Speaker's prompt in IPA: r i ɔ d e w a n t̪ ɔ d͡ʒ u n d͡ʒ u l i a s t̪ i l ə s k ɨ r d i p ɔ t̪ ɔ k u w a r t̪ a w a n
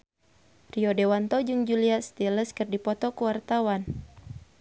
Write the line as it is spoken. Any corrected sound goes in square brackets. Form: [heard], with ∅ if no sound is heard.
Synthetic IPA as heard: r i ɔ d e w a n t̪ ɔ d͡ʒ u [ŋ] d͡ʒ u l i a s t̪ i l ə s k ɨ r d i p ɔ t̪ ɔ k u w a r t̪ a w a n